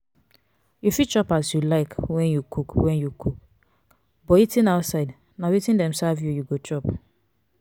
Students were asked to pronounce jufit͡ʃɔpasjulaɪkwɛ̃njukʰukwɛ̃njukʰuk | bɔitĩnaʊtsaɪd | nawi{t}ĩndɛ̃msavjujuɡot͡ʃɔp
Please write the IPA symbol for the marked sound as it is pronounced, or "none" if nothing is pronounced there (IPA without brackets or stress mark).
t